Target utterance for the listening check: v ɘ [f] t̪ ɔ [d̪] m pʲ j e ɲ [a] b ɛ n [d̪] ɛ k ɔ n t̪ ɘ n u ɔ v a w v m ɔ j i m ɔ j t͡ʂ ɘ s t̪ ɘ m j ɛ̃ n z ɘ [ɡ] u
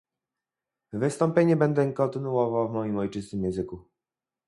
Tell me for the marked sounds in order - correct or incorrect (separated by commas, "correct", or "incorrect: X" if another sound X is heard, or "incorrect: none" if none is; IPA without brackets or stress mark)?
incorrect: s, incorrect: none, incorrect: ɛ, correct, incorrect: k